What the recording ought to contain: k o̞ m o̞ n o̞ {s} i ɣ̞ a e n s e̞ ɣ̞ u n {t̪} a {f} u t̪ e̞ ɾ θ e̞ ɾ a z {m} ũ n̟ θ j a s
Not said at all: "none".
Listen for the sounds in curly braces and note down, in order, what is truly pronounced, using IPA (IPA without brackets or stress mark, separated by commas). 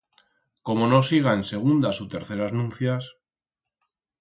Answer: s, d̪, s, n